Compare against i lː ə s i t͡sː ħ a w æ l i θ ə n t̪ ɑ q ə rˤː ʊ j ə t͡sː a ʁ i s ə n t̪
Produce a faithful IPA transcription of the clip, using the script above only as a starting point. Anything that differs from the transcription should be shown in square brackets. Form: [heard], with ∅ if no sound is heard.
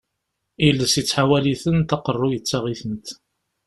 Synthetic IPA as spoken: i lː ə s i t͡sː ħ a w æ l i θ ə n t̪ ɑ q ə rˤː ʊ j ə t͡sː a ʁ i [θ] ə n t̪